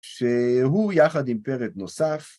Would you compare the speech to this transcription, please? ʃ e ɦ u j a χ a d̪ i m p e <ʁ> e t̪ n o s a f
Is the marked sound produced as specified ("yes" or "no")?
yes